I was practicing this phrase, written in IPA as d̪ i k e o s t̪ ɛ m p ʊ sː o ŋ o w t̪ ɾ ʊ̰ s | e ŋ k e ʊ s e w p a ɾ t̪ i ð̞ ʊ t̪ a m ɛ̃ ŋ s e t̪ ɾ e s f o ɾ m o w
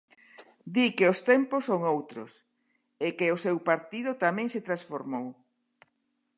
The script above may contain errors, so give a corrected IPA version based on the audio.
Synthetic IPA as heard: d̪ i k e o s t̪ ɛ m p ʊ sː o ŋ o w t̪ ɾ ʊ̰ s | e k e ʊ s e w p a ɾ t̪ i ð̞ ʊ t̪ a m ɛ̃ ŋ s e t̪ ɾ a s f o ɾ m o w